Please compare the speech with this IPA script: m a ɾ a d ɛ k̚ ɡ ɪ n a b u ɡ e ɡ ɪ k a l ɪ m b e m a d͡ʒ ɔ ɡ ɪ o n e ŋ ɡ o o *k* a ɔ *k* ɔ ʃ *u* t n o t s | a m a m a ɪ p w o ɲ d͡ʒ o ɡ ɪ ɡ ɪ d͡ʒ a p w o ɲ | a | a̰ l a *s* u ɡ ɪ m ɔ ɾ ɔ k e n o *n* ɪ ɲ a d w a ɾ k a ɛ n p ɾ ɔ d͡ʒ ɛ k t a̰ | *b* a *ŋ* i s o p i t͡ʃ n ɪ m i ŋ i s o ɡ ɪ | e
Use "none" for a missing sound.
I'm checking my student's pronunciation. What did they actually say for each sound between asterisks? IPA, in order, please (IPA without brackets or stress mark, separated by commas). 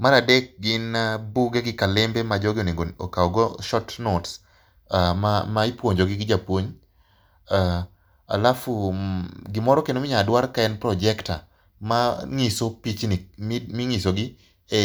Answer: k, ɡ, ɔ, f, m, m, ŋ